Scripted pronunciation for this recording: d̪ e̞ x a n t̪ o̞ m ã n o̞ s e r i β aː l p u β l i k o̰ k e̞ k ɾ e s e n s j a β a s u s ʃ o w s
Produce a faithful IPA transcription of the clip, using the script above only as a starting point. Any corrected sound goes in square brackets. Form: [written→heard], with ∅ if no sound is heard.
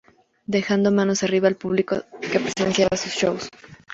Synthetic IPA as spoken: d̪ e̞ x a n [t̪→d̪] o̞ m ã n o̞ s [e→a] r i β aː l p u β l i k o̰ k e̞ [k→p] ɾ e s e n s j a β a s u s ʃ o w s